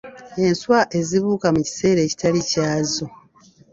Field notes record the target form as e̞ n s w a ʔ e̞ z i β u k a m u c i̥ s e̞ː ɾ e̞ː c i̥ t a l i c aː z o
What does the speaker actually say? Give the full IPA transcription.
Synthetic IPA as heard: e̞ n s w a ʔ e̞ z i β uː k a m u c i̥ s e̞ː ɾ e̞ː c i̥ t a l i c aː z o